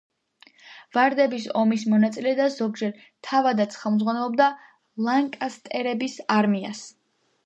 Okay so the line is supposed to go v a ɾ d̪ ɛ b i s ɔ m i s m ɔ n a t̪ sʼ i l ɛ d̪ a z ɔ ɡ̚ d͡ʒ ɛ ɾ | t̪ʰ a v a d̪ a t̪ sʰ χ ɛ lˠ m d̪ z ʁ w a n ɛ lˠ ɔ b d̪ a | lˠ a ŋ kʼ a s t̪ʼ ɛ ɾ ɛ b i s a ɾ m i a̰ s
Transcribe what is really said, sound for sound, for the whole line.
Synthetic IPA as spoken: v a ɾ d̪ ɛ b i s ɔ m i s m ɔ n a t̪ sʼ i l ɛ d̪ a z ɔ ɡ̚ d͡ʒ ɛ ɾ | t̪ʰ a v a d̪ a t̪ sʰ χ ɛ lˠ m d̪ z ʁ w a n ɛ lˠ ɔ b d̪ a | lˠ a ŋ kʼ a s t̪ʼ ɛ ɾ ɛ b i s a ɾ m i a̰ s